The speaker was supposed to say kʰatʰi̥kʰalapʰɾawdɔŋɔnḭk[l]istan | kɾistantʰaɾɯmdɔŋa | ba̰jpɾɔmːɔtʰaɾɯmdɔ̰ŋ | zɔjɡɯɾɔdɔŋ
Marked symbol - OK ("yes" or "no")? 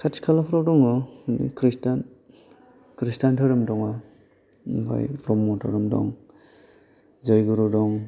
no